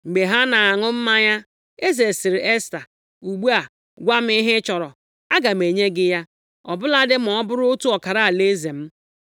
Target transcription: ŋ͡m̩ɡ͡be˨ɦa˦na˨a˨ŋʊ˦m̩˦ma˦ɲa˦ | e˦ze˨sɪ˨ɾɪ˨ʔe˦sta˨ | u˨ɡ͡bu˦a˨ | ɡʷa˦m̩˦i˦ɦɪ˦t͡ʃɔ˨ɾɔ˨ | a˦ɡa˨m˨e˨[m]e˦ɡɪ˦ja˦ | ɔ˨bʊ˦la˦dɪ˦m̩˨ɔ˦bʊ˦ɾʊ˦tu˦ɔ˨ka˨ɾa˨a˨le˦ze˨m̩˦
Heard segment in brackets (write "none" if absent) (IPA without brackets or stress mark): ɲ